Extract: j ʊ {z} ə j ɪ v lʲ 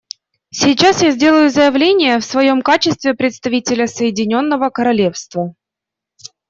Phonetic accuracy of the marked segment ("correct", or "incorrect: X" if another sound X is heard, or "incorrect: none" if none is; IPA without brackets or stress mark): correct